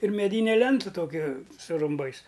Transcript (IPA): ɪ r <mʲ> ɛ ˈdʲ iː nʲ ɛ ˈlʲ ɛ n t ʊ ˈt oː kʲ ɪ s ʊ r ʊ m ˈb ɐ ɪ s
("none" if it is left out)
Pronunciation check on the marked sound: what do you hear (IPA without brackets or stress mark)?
mʲ